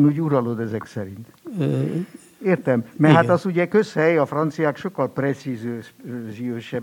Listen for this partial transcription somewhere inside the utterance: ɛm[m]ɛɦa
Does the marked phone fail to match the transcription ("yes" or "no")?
no